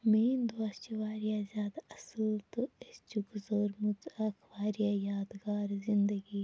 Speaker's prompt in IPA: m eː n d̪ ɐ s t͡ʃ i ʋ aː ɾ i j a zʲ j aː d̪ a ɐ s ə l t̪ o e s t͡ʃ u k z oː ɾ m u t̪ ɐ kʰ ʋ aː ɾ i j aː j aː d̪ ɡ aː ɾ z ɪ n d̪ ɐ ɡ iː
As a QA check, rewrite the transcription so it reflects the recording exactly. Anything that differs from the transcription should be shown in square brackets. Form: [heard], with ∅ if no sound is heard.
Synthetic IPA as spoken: m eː n d̪ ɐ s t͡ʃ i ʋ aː ɾ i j a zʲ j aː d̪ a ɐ s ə l t̪ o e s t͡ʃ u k z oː ɾ m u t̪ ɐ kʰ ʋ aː ɾ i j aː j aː d̪ ɡ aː ɾ z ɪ n d̪ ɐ ɡ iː